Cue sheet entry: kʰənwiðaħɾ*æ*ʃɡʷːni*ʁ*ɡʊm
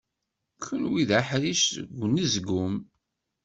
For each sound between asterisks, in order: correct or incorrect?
incorrect: i, incorrect: z

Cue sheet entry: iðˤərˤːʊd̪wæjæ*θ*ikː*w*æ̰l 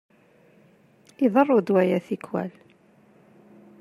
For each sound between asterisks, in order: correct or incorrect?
correct, correct

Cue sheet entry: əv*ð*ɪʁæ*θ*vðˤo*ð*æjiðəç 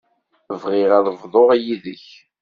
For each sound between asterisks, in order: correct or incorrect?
incorrect: ʁ, incorrect: ð, incorrect: ʁ

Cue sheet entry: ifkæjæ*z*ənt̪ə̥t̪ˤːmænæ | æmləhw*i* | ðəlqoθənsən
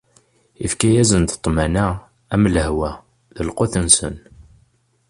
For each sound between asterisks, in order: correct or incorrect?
correct, incorrect: æ

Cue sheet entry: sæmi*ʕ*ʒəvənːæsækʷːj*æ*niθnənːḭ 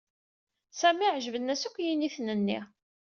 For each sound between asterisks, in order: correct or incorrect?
correct, incorrect: i

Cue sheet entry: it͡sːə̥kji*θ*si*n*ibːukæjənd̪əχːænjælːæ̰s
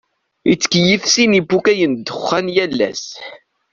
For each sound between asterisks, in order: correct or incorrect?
incorrect: f, correct

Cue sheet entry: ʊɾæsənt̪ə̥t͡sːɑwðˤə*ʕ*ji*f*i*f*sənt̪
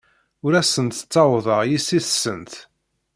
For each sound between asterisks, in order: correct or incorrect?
incorrect: ʁ, incorrect: s, incorrect: θ

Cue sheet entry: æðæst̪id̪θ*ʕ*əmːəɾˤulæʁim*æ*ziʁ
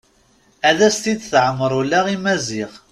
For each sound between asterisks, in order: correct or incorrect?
correct, correct

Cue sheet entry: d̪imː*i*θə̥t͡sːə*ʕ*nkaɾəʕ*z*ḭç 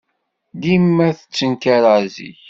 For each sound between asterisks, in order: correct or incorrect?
incorrect: æ, incorrect: none, correct

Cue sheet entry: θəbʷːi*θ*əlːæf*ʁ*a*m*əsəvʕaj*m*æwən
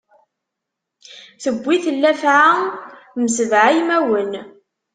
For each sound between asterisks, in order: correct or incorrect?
correct, incorrect: ʕ, correct, correct

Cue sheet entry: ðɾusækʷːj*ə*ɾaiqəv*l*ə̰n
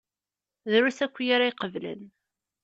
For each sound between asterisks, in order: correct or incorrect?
incorrect: a, correct

